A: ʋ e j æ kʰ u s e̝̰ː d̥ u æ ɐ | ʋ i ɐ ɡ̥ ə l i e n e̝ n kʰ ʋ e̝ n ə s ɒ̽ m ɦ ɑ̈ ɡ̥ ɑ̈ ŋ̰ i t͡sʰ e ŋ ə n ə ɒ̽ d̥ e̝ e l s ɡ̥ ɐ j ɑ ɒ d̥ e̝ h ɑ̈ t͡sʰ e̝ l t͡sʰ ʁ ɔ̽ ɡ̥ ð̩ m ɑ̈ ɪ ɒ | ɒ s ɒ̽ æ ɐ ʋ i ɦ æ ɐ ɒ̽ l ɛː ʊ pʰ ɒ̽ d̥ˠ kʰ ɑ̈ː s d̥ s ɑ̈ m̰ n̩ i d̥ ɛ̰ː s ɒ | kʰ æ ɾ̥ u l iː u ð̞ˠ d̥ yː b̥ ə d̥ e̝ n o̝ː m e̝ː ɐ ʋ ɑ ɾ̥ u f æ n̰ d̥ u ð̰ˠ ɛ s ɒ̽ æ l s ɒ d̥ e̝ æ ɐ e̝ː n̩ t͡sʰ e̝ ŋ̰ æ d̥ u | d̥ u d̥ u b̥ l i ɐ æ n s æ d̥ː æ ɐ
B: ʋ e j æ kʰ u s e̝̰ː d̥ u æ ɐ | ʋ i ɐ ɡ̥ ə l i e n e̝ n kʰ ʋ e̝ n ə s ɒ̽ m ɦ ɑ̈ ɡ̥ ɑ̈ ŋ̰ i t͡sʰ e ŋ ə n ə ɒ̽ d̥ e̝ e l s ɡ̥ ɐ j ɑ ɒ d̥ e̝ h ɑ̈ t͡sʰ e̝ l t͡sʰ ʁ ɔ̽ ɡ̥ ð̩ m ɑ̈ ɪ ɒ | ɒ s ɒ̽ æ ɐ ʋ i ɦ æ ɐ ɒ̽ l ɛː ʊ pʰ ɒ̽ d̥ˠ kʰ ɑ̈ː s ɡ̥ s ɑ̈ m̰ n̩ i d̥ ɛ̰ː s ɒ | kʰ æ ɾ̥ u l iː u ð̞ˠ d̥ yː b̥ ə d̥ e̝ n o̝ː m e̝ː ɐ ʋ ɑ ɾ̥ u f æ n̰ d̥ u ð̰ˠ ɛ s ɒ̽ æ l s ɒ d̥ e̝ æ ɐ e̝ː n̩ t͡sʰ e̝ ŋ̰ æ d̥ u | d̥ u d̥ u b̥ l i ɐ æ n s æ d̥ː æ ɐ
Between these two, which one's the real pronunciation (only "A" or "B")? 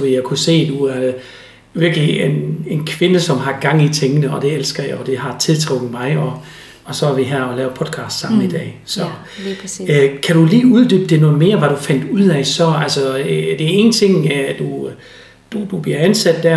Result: A